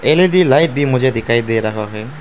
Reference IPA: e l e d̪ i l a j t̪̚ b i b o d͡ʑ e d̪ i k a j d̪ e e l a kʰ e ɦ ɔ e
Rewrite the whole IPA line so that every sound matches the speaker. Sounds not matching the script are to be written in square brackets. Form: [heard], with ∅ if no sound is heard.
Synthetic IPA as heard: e l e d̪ i l a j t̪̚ b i [m] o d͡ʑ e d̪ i k a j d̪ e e [ɾ] a kʰ [a] ɦ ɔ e